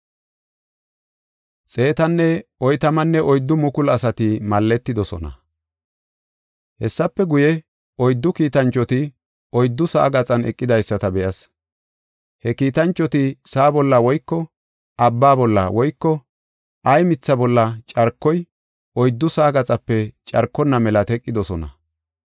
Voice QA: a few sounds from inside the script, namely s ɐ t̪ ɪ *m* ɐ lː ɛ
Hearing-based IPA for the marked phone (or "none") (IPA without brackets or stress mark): m